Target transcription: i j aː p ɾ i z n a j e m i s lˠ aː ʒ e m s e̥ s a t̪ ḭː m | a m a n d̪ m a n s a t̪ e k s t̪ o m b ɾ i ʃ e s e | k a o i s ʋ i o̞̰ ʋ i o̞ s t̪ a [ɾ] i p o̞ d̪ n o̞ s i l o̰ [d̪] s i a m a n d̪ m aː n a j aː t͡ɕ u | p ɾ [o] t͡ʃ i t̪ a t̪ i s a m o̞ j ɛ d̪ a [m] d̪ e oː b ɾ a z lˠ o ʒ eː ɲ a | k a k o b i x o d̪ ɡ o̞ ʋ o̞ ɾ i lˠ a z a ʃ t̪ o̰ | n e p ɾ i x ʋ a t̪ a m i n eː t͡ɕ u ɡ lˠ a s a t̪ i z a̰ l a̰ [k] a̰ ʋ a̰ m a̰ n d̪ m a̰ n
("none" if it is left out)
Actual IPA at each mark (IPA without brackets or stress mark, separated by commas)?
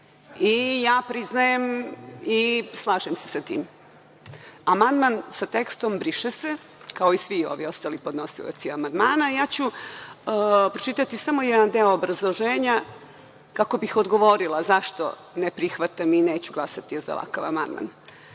l, t̪, o, n, k